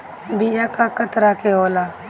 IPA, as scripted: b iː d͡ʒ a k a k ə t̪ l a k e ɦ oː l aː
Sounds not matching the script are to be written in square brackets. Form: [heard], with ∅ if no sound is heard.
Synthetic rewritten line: b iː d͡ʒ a k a k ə t̪ [ɾ] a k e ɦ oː l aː